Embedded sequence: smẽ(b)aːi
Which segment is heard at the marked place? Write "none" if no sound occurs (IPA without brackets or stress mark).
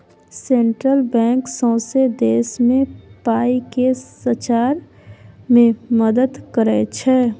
p